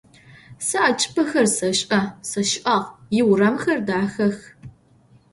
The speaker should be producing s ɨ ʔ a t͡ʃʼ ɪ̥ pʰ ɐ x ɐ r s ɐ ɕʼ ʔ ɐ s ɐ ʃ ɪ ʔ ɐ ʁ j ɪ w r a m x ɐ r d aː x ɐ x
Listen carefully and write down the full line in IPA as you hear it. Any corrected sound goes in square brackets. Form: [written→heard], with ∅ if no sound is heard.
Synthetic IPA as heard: s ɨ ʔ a t͡ʃʼ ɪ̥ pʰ ɐ x ɐ r s ɐ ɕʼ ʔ ɐ s ɐ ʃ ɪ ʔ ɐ ʁ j ɪ w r [a→ɐ] m x ɐ r d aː x ɐ x